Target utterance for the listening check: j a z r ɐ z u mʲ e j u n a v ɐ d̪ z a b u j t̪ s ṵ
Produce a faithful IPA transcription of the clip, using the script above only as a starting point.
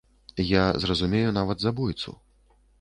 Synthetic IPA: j a z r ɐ z u mʲ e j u n a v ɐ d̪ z a b u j t̪ s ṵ